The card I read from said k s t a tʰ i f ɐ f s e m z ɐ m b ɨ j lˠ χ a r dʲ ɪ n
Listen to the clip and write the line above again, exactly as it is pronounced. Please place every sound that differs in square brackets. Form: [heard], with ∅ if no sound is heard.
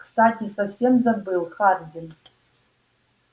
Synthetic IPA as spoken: k s t a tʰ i [s] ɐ f s e m z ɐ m b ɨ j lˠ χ a r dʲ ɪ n